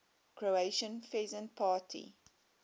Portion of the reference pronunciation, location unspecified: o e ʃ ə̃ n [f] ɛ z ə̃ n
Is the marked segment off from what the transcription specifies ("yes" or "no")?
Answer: no